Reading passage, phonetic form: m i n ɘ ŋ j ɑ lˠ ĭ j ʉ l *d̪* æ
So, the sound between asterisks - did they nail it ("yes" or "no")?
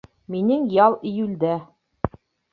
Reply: yes